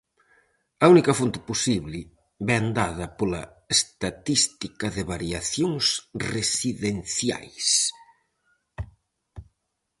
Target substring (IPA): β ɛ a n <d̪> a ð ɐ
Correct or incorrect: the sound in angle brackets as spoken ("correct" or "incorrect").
correct